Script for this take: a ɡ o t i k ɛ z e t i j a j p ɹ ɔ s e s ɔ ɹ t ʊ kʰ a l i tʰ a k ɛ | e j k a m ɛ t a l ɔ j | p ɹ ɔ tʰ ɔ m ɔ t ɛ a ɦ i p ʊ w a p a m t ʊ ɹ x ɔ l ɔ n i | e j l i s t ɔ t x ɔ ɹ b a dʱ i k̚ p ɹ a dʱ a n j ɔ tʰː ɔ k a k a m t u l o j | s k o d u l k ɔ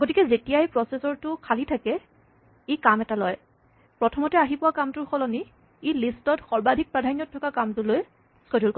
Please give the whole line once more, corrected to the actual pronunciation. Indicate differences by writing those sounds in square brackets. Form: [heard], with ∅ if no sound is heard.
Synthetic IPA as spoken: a ɡ o t i k ɛ z e t i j a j p ɹ ɔ s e s ɔ ɹ t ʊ kʰ a l i tʰ a k ɛ | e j k a m ɛ t a l ɔ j | p ɹ ɔ tʰ ɔ m ɔ t ɛ a ɦ i p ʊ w a [k] a m t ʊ ɹ x ɔ l ɔ n i | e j l i s t ɔ t x ɔ ɹ b a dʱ i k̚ p ɹ a dʱ a n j ɔ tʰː ɔ k a k a m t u l o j | s k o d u l k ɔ

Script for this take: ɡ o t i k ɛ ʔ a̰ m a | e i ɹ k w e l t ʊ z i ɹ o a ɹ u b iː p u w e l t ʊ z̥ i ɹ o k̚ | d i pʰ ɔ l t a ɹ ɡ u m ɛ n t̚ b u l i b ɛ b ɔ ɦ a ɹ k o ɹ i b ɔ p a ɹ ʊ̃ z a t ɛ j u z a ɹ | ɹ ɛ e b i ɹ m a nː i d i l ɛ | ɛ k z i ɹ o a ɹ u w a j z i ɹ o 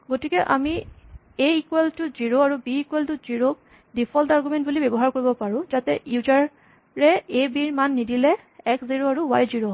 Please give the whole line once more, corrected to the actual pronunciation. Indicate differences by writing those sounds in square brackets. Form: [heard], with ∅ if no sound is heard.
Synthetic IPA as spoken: ɡ o t i k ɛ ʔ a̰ m [i] | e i [∅] k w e l t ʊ z i ɹ o a ɹ u b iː [k] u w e l t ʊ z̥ i ɹ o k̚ | d i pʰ ɔ l t a ɹ ɡ u m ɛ n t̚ b u l i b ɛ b ɔ ɦ a ɹ k o ɹ i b ɔ p a ɹ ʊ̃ z a t ɛ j u z a ɹ | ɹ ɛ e b i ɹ m a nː i d i l ɛ | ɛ k z i ɹ o a ɹ u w a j z i ɹ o

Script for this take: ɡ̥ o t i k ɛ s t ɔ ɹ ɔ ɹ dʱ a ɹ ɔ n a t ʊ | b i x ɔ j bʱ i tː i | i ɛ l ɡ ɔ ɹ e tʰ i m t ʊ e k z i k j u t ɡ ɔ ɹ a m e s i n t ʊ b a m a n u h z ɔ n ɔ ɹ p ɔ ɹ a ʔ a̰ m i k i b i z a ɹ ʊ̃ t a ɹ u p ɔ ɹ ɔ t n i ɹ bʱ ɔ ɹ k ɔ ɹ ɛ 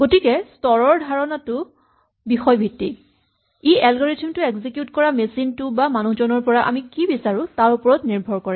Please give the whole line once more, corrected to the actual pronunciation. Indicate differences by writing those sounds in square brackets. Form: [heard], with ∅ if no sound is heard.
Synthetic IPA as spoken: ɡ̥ o t i k ɛ s t ɔ ɹ ɔ ɹ dʱ a ɹ ɔ n a t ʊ | b i x ɔ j bʱ i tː i | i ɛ l ɡ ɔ ɹ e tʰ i m t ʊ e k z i k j u t [k] ɔ ɹ a m e s i n t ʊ b a m a n u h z ɔ n ɔ ɹ p ɔ ɹ a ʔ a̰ m i k i b i [s] a ɹ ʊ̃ t a ɹ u p ɔ ɹ ɔ t n i ɹ bʱ ɔ ɹ k ɔ ɹ ɛ

